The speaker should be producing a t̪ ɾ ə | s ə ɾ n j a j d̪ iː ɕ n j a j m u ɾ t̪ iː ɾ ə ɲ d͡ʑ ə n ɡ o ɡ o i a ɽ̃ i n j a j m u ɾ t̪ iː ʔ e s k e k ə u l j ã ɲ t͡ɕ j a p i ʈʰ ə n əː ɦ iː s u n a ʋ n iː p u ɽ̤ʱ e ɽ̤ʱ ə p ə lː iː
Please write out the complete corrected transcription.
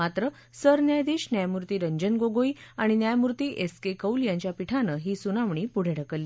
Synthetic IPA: a t̪ ɾ ə | s ə ɾ n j a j d̪ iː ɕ n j a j m u ɾ t̪ iː ɾ ə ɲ d͡ʑ ə n ɡ o ɡ o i a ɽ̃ i n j a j m u ɾ t̪ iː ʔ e s k e k ə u l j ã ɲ t͡ɕ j a p i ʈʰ a n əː ɦ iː s u n a ʋ ɳ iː p u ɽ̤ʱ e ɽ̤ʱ ə k ə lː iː